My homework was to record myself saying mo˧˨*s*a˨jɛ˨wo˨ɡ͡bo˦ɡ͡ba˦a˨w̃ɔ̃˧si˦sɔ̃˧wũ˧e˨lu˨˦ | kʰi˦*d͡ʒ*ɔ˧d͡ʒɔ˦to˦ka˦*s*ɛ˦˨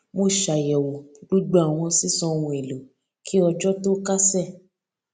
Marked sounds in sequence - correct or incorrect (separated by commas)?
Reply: incorrect, incorrect, correct